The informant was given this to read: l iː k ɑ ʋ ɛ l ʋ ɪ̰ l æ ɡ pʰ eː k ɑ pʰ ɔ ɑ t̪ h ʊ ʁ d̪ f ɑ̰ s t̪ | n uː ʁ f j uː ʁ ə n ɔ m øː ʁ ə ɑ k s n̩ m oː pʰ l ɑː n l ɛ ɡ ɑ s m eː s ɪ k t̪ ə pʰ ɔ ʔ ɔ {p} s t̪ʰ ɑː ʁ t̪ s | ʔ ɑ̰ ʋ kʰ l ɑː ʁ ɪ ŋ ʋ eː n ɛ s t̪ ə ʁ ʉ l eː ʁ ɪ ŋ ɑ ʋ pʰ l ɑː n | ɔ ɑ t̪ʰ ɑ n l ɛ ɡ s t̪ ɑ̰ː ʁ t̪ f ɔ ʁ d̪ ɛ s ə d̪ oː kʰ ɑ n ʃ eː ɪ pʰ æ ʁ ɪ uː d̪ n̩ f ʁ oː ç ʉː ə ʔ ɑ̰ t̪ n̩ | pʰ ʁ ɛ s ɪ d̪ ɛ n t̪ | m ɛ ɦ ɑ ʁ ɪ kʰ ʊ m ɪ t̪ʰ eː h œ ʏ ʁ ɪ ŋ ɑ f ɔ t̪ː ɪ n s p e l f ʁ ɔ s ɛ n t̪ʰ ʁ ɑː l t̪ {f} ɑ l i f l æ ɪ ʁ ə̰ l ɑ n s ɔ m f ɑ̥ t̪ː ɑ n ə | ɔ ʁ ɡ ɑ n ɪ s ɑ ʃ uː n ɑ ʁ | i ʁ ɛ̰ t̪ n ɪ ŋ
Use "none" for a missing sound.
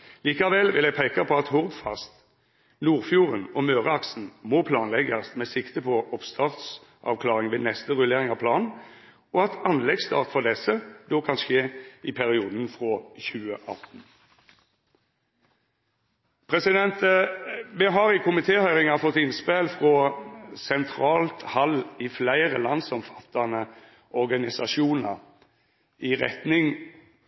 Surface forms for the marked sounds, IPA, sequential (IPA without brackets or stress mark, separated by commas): p, h